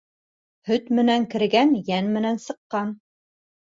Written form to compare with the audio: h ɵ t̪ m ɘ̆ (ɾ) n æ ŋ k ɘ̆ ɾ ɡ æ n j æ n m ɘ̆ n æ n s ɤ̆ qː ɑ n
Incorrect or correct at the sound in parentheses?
incorrect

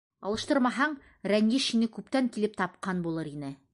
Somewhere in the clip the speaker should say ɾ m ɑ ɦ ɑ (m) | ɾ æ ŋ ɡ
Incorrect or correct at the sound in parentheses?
incorrect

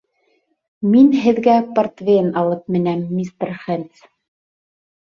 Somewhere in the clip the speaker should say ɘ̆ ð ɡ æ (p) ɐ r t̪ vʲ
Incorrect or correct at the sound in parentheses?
correct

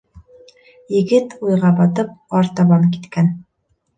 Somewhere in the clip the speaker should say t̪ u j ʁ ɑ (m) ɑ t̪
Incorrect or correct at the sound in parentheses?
incorrect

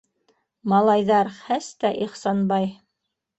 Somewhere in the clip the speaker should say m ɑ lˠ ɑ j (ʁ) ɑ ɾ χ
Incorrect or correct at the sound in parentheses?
incorrect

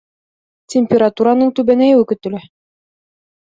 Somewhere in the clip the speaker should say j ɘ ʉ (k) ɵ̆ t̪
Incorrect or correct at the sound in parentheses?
correct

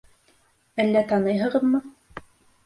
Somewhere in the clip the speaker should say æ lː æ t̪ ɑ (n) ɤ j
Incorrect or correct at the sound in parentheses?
correct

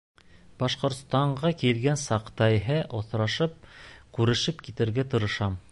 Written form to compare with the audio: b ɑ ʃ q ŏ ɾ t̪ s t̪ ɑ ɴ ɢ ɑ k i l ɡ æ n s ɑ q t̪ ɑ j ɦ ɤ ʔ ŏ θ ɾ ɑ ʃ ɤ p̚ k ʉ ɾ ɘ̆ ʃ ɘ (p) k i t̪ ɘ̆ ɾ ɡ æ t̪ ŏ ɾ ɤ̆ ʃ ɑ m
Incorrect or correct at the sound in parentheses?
correct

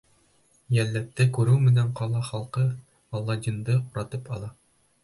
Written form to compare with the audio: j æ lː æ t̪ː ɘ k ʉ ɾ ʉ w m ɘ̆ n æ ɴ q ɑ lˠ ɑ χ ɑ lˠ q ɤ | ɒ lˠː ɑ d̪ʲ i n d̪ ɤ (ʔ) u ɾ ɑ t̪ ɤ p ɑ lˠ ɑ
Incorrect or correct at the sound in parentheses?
incorrect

